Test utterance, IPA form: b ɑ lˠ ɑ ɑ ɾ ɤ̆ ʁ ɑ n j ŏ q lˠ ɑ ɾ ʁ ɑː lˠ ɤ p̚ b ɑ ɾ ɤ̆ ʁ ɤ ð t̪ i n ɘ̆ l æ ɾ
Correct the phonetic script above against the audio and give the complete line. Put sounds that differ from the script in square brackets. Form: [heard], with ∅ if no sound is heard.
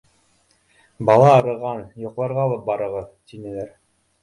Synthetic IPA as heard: b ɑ lˠ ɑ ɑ ɾ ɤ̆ ʁ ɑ n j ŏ q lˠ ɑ ɾ ʁ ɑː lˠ ɤ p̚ b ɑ ɾ ɤ̆ ʁ ɤ ð t̪ i n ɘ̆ l æ ɾ